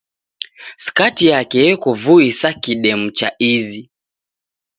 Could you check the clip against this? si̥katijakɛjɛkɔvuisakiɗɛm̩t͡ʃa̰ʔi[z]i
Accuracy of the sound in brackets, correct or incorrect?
correct